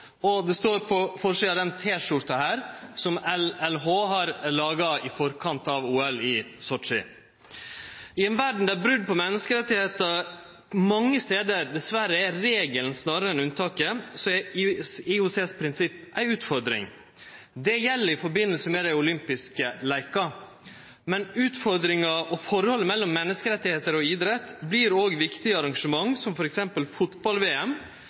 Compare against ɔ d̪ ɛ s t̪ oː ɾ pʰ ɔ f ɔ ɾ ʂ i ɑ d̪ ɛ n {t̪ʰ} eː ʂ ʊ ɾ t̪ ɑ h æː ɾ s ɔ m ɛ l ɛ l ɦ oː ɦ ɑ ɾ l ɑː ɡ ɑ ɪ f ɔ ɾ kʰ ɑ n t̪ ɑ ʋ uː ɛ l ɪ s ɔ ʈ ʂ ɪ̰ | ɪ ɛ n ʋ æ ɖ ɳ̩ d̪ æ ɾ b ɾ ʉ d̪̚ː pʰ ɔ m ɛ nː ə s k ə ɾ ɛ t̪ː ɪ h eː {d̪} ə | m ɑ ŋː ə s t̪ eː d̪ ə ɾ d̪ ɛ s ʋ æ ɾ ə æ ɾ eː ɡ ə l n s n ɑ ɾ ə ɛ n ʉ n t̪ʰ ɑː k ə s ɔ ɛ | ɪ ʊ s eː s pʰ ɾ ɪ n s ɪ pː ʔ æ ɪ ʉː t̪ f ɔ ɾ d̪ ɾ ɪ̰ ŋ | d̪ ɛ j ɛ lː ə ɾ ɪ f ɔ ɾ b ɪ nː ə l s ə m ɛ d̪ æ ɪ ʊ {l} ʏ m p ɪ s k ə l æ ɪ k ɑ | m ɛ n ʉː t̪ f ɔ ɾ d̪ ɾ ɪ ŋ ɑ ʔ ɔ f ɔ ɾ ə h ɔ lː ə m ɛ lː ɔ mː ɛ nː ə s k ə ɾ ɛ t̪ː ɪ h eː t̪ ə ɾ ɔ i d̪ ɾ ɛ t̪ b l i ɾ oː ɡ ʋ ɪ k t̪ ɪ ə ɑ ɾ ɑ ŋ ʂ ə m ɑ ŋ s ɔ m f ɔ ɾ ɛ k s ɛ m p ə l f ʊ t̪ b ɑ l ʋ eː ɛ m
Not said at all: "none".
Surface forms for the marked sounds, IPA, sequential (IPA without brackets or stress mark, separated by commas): t̪ʰ, t̪, l